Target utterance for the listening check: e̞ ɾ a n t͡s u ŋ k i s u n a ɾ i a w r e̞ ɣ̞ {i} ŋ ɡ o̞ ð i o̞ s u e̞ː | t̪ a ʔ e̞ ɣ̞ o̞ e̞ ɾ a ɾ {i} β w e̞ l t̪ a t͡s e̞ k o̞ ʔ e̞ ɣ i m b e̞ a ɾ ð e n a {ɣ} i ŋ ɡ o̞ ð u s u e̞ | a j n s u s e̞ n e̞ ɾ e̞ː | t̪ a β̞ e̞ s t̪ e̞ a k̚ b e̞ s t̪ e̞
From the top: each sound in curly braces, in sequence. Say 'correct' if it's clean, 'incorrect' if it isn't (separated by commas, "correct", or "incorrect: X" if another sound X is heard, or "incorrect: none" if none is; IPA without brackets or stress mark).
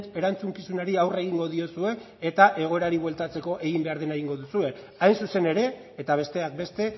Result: correct, correct, correct